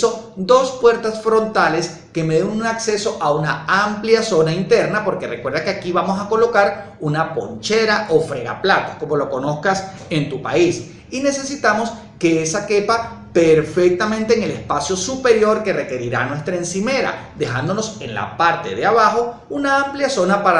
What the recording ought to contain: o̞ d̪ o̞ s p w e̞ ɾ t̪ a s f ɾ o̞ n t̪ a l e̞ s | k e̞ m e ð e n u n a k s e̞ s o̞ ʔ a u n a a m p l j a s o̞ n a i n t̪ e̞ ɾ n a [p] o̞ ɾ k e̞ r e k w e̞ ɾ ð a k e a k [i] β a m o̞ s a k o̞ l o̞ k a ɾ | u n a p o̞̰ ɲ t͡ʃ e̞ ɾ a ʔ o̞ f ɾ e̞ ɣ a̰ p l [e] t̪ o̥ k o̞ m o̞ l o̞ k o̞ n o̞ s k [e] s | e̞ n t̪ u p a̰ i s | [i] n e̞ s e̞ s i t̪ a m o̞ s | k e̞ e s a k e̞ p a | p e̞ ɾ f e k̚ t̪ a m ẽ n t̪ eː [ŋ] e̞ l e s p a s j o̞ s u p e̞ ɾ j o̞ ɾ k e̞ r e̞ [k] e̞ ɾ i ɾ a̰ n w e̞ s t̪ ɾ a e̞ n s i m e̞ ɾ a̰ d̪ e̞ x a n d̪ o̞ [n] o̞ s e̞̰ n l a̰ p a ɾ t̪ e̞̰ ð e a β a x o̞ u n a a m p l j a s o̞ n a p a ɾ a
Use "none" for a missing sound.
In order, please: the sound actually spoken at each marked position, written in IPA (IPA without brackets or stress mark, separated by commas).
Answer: p, i, a, a, i, ŋ, k, n